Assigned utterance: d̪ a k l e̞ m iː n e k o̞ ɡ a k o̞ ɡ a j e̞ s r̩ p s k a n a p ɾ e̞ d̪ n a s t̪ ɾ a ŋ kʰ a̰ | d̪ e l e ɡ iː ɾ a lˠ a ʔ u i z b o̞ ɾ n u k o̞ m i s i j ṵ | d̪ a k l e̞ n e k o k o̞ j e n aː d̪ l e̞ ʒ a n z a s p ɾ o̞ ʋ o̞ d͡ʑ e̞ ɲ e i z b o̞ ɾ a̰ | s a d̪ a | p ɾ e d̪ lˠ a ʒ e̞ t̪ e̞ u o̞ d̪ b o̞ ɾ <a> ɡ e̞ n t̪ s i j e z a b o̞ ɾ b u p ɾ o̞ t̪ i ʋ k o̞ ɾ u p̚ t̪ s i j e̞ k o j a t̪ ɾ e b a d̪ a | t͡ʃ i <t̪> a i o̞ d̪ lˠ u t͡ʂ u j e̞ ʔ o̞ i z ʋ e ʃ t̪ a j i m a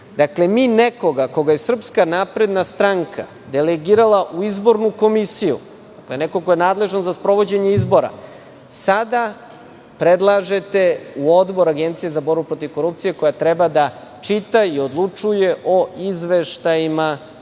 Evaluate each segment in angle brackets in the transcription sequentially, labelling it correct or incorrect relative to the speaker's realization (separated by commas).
correct, correct